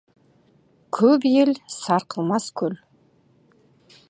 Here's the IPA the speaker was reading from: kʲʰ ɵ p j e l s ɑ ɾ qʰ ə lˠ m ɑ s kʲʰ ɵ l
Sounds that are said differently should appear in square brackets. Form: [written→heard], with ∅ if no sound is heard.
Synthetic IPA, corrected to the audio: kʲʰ ɵ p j e l s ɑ ɾ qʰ ə lˠ m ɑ s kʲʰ ɵ l

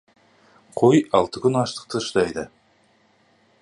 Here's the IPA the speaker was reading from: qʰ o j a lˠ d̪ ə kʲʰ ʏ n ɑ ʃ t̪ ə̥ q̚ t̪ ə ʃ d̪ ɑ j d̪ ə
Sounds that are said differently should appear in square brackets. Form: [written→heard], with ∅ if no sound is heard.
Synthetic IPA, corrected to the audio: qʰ o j [a→ɑ] lˠ [d̪→t̪] ə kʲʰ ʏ n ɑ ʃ t̪ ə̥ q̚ t̪ ə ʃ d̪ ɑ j d̪ ə

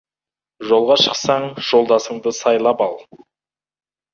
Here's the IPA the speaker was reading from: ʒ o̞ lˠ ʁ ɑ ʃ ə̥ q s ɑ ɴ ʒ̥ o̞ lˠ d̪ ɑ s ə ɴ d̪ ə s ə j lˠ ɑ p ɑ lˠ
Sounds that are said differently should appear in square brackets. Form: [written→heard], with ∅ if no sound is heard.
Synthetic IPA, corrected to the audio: ʒ o̞ lˠ ʁ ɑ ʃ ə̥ q s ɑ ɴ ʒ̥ o̞ lˠ d̪ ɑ s ə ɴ d̪ ə s [ə→ɑ] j lˠ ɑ p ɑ lˠ

